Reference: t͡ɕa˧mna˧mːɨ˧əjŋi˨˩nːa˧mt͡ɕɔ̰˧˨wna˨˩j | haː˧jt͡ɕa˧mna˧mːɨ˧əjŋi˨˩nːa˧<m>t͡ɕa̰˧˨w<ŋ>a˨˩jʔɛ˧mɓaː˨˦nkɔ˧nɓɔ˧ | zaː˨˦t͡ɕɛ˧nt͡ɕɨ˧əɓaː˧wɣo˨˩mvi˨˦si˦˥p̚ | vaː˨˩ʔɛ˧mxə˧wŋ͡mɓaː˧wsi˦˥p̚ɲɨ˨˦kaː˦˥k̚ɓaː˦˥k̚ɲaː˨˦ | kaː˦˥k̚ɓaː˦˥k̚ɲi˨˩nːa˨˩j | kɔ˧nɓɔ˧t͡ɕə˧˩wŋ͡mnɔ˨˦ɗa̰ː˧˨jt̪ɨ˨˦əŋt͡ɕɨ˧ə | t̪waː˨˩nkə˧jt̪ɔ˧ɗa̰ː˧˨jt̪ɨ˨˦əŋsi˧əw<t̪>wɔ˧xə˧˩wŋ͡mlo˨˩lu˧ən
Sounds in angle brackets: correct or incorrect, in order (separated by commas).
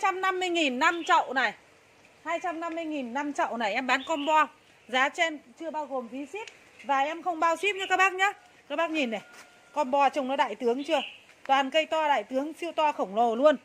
correct, incorrect, correct